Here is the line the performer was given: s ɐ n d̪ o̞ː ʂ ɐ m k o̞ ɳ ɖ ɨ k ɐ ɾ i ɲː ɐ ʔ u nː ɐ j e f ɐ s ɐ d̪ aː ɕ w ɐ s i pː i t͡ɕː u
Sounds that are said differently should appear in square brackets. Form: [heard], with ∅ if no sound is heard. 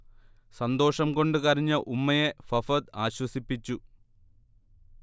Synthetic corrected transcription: s ɐ n d̪ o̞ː ʂ ɐ m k o̞ ɳ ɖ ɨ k ɐ ɾ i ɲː ɐ ʔ u [mː] ɐ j e f ɐ [f] ɐ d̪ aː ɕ w ɐ s i pː i t͡ɕː u